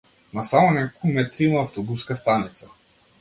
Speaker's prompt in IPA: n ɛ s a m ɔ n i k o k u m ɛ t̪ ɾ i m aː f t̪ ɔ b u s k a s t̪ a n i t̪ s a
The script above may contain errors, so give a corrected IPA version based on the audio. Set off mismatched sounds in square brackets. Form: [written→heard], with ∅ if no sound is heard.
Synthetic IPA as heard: n [ɛ→a] s a m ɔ n [i→ɛ] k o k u m ɛ t̪ ɾ i m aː f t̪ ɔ b u s k a s t̪ a n i t̪ s a